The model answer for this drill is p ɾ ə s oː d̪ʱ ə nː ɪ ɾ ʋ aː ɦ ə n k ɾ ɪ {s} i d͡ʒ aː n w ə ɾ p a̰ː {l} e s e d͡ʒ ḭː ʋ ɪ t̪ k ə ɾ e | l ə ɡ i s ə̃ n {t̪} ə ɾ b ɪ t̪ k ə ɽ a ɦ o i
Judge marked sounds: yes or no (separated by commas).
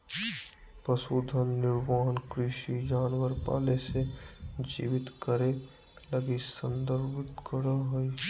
no, yes, no